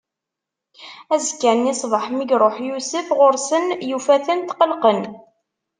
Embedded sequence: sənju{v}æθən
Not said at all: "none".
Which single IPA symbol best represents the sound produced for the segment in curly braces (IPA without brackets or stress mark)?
f